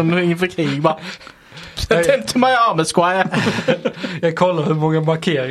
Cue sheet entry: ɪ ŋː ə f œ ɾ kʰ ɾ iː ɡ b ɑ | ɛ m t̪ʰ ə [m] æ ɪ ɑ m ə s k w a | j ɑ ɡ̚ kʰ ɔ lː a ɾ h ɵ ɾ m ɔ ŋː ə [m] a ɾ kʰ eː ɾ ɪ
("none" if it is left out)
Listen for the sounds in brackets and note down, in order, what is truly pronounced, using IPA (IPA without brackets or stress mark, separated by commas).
m, m